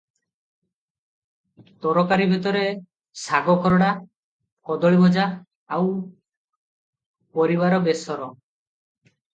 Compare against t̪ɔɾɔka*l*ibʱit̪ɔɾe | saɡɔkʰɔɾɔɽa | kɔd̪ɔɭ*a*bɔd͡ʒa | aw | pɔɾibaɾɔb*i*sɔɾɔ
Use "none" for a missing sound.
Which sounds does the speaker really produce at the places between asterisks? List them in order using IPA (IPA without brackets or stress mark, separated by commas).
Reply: ɾ, i, e